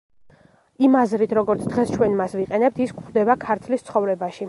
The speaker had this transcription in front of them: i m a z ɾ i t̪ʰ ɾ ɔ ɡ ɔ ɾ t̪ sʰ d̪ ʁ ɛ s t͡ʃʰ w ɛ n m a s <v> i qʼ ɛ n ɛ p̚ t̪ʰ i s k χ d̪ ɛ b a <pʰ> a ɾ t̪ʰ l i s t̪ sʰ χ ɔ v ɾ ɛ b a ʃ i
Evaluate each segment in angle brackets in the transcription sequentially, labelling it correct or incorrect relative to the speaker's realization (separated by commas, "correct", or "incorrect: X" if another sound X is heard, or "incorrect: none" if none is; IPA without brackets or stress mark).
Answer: correct, incorrect: kʰ